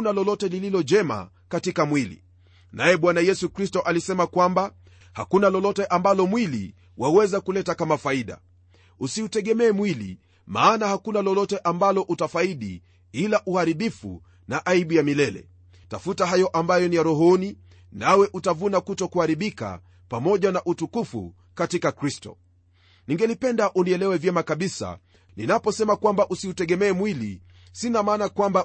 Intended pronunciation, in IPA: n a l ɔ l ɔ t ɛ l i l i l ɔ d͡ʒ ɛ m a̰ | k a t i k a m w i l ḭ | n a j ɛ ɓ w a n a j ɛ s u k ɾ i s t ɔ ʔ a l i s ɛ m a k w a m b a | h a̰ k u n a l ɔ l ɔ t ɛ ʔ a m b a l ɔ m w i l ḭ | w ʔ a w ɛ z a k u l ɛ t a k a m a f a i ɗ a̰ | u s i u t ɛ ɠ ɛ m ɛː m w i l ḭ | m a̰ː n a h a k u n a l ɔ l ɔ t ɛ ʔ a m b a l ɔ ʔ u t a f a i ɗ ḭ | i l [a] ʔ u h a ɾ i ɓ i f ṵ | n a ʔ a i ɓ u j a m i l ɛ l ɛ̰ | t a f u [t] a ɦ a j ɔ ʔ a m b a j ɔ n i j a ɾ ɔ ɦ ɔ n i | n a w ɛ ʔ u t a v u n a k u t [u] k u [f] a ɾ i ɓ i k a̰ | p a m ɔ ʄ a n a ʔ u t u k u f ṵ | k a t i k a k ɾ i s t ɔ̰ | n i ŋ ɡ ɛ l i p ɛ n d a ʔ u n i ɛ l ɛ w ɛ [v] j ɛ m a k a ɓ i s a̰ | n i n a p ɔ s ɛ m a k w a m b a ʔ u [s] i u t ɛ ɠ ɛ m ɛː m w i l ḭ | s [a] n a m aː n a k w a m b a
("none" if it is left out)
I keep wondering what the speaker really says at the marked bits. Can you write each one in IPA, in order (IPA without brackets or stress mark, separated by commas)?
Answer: a, t, ɔ, h, v, s, i